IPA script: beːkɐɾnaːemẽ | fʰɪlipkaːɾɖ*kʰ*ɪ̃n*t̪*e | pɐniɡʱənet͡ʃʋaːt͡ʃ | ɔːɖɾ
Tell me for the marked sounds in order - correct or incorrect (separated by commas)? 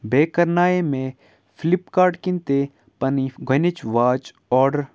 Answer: incorrect, correct